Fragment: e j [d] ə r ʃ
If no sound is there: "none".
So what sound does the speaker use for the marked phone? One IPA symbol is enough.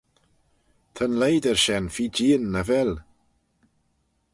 d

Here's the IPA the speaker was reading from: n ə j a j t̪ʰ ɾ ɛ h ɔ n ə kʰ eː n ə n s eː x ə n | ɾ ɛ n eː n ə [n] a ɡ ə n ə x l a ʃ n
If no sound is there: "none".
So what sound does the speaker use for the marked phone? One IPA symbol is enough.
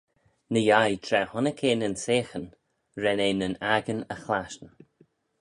n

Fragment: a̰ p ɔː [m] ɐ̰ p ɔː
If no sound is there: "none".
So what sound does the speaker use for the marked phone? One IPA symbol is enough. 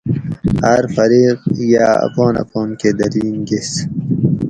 n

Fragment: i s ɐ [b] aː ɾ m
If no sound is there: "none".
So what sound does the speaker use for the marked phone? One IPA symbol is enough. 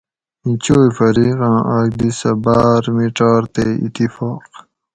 b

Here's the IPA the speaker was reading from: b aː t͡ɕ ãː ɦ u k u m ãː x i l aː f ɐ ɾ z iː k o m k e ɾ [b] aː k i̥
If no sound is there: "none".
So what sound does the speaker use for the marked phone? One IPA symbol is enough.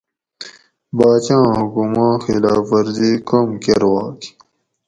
w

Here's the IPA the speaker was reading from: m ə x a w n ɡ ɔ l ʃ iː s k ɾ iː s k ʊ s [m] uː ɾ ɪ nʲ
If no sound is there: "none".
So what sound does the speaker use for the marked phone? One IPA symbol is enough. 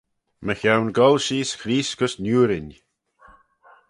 n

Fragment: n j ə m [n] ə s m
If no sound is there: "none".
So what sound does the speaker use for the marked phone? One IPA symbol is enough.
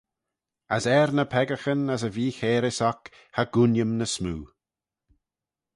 n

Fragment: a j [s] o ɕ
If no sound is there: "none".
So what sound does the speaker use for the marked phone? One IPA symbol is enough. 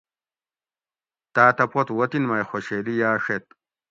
x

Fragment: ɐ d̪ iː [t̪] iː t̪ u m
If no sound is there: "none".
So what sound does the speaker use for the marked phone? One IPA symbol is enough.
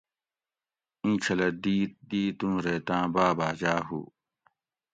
d̪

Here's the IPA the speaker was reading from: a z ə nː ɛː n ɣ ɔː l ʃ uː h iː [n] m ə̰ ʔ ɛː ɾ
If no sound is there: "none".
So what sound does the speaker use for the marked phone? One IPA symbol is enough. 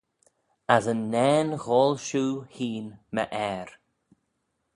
n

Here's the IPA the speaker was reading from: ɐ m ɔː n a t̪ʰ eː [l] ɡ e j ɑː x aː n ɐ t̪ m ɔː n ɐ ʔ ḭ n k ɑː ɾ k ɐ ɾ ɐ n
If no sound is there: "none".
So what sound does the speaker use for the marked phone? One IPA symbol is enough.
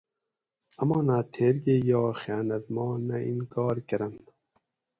ɾ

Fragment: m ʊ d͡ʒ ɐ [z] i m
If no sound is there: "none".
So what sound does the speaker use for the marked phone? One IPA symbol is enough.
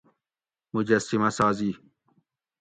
s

